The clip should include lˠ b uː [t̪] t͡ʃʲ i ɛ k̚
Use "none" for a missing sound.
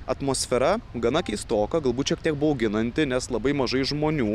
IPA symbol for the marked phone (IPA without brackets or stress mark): t̪